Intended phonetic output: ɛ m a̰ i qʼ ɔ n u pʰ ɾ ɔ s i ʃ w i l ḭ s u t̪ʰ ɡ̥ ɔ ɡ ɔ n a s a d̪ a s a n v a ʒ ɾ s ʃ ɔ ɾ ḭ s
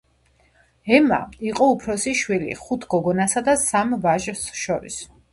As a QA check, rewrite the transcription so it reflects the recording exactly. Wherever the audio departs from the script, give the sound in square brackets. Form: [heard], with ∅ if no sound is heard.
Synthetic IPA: ɛ m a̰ i qʼ ɔ [∅] u pʰ ɾ ɔ s i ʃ w i l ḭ [χ] u t̪ʰ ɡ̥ ɔ ɡ ɔ n a s a d̪ a s a [m] v a ʒ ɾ s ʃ ɔ ɾ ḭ s